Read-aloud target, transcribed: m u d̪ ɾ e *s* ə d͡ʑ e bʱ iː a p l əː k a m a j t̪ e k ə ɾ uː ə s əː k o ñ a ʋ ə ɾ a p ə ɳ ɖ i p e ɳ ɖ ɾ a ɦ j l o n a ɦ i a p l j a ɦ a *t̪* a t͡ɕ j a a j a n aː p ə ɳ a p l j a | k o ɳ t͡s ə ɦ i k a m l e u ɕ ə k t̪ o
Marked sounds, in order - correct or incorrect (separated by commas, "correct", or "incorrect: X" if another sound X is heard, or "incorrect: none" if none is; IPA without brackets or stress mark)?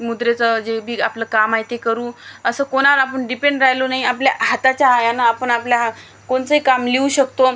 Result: incorrect: t͡s, correct